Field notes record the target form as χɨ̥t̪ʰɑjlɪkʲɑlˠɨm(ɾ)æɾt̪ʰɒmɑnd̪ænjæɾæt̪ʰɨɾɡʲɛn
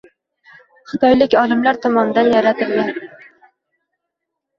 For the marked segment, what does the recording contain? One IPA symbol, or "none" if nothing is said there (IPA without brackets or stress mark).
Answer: l